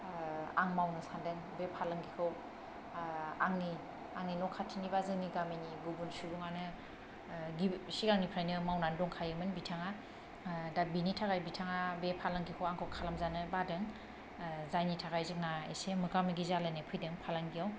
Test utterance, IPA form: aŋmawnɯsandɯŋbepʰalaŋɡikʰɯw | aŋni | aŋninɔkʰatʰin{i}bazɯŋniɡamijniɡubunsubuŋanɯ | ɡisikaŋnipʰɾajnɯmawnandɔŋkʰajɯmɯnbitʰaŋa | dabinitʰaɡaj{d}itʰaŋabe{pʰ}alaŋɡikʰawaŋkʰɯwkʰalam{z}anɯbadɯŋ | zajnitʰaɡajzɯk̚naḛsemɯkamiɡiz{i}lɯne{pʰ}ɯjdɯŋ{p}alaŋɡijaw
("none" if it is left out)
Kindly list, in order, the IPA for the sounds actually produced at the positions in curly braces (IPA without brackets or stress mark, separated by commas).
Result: i, b, pʰ, z, a, pʰ, pʰ